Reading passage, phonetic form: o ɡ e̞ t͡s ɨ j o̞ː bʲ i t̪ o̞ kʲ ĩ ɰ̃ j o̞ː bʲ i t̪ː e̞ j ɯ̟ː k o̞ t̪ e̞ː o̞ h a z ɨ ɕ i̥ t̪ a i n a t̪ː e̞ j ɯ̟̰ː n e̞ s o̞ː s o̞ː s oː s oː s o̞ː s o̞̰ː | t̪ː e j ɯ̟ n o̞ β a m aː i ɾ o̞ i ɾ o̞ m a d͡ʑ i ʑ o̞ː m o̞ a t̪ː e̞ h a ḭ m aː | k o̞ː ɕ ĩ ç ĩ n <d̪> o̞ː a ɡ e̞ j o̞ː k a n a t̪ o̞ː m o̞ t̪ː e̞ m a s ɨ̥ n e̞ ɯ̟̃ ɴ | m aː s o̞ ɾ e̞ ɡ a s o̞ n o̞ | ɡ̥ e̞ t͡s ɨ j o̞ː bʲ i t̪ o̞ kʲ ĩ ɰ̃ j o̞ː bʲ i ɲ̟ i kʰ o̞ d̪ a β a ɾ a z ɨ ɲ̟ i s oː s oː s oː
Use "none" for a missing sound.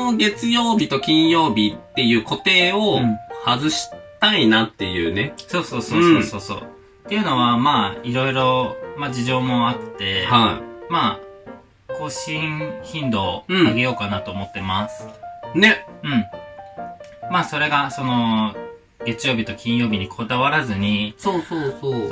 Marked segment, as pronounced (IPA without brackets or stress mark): d̪